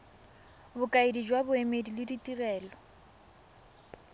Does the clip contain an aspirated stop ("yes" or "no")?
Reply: no